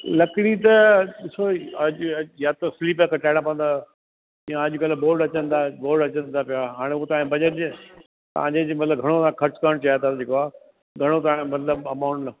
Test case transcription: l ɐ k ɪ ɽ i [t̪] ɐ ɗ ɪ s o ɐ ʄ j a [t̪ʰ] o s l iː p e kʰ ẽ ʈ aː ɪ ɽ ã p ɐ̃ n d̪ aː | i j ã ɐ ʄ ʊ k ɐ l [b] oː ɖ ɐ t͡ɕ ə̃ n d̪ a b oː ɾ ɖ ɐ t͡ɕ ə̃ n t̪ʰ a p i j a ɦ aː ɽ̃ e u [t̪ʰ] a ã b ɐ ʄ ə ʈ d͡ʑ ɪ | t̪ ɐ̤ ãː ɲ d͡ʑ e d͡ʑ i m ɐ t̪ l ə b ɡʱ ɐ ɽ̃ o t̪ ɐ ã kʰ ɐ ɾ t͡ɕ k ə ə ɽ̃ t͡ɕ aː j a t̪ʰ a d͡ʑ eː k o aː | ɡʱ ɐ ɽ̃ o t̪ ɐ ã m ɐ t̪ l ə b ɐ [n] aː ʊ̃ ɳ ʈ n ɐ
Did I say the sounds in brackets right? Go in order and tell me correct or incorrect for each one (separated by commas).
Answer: correct, incorrect, correct, incorrect, incorrect